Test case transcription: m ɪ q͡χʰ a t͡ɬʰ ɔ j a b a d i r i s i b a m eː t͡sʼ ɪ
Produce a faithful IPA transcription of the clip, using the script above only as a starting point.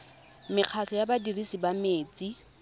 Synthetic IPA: m ɪ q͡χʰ a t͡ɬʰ ɔ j a b a d i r i s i b a m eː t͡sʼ i